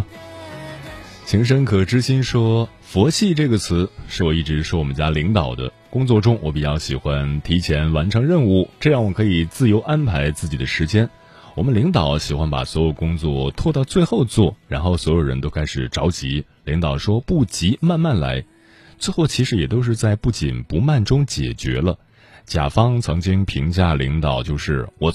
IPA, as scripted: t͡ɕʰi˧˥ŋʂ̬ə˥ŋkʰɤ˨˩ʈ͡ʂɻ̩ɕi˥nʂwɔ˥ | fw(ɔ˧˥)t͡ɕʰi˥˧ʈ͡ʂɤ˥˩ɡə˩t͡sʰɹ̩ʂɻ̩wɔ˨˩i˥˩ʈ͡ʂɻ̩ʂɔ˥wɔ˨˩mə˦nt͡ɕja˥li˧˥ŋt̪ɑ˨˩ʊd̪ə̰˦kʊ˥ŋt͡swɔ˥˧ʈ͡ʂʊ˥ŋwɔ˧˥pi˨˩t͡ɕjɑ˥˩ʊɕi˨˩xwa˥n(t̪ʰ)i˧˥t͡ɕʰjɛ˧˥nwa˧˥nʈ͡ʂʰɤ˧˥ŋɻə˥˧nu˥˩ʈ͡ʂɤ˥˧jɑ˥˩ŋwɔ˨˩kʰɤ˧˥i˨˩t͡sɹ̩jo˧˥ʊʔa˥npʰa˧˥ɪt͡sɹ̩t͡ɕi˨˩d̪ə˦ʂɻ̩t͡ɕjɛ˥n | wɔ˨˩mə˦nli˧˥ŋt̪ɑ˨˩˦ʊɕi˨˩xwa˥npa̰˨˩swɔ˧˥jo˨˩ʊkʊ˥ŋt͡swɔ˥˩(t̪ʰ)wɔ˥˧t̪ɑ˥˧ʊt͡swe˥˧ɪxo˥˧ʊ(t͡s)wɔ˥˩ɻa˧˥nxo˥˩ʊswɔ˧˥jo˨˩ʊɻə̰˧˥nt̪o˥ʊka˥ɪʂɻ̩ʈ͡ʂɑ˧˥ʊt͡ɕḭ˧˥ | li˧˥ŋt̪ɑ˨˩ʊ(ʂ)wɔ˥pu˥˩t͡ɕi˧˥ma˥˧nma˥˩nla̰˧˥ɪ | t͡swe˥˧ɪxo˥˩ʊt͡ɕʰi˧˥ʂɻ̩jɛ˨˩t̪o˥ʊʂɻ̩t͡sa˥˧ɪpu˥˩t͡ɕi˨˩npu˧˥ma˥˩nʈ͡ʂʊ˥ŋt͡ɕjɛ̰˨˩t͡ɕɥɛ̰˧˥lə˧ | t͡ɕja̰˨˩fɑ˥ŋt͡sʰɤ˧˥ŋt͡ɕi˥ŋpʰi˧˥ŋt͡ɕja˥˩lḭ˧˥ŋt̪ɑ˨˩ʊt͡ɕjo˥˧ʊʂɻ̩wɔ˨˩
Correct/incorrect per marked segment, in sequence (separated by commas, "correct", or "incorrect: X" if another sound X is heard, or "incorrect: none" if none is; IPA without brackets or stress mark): correct, correct, correct, correct, correct